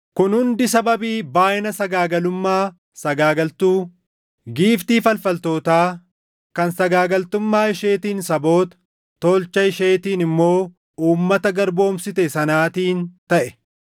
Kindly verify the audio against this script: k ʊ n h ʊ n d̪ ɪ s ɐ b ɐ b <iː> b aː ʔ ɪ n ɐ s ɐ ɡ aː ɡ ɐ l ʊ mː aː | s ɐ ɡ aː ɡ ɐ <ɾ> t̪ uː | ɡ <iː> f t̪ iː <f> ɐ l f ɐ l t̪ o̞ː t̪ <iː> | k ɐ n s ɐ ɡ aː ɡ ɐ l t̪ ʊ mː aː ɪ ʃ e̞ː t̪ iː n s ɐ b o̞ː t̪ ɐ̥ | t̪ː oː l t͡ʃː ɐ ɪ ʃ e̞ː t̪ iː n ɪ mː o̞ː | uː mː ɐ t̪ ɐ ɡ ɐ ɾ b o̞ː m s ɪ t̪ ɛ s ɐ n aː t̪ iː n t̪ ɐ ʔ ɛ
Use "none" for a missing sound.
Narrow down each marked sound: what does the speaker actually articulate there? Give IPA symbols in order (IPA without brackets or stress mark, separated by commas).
iː, l, iː, f, aː